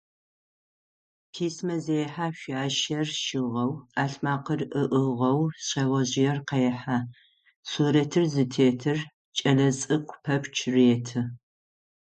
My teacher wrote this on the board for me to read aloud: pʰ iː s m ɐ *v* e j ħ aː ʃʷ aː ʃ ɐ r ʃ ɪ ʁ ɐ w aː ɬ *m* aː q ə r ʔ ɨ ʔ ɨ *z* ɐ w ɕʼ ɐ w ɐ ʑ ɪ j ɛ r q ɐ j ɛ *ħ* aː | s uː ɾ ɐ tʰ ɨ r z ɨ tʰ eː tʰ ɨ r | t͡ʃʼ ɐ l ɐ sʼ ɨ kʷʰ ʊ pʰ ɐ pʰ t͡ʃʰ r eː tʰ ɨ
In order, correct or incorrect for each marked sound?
incorrect, correct, incorrect, correct

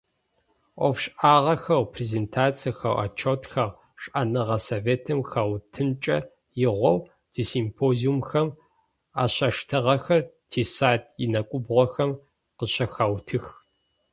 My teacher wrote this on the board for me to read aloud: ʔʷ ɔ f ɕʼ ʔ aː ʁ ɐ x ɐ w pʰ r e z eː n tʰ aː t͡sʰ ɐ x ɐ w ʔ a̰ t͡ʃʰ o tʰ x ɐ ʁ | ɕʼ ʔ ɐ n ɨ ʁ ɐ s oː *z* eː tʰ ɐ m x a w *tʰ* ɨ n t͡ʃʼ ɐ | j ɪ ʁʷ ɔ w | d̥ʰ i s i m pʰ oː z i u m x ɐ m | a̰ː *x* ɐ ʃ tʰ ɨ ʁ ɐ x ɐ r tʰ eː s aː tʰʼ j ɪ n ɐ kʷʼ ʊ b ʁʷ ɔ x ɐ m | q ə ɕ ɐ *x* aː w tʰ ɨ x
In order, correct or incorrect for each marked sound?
incorrect, correct, incorrect, correct

